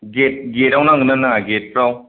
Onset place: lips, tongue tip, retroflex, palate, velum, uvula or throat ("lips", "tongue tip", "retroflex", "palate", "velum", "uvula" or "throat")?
velum